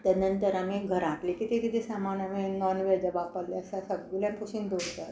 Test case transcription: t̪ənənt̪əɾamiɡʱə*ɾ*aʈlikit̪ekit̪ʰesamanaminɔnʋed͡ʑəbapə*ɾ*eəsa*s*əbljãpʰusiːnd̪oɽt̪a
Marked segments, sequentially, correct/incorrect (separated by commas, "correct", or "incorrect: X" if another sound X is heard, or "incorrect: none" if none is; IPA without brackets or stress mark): correct, incorrect: l, correct